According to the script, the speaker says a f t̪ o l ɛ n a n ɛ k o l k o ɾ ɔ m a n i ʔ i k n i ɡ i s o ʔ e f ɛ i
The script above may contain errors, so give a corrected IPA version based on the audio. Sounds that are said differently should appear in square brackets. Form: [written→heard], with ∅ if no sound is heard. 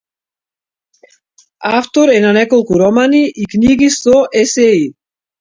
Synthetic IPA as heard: a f t̪ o [l→ɾ] ɛ n a n ɛ k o l k [o→u] ɾ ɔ m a n i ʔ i k n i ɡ i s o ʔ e [f→s] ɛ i